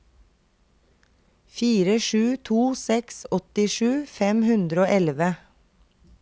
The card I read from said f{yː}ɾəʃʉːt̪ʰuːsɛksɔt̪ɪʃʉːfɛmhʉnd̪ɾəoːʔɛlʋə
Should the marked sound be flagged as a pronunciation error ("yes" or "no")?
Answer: yes